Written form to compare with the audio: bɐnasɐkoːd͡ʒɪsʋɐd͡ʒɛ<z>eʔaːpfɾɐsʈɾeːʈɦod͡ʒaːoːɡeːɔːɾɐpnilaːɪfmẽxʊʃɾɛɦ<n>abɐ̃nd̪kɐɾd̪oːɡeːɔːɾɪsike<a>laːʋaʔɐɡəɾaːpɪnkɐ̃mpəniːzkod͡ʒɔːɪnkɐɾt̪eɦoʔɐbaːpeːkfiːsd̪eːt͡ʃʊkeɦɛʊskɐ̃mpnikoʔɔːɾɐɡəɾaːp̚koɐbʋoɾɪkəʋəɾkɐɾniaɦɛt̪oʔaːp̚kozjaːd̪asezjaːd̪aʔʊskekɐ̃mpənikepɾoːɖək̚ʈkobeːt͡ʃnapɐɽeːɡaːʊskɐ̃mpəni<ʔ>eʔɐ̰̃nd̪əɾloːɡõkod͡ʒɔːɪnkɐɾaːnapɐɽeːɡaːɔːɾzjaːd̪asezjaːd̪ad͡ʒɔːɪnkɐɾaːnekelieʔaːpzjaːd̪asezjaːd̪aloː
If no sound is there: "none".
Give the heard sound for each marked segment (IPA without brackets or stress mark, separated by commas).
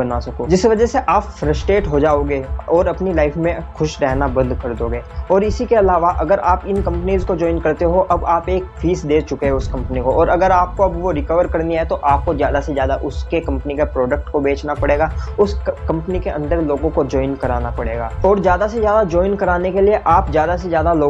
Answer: s, n, ɐ, k